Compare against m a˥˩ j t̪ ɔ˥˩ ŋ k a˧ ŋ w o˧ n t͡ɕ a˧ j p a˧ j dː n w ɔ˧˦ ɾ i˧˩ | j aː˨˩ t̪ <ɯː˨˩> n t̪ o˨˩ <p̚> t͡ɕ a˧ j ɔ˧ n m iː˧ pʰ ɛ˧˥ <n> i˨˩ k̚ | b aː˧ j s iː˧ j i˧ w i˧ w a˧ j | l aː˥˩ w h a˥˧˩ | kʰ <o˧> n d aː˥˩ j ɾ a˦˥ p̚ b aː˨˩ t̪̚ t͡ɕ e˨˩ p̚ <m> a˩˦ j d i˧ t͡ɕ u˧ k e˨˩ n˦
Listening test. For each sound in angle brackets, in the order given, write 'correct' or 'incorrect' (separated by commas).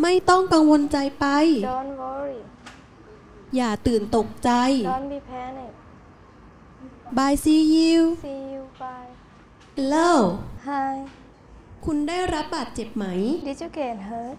correct, incorrect, correct, incorrect, correct